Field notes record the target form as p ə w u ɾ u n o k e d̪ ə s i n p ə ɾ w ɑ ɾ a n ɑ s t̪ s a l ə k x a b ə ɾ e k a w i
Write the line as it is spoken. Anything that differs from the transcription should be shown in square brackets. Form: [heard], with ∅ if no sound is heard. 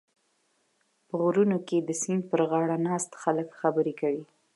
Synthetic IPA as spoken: p ə [ɣ] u ɾ u n o k e d̪ ə s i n p ə ɾ [ɣ] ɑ [ɽ] a n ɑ s t̪ [x] a l ə k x a b ə ɾ e k a w i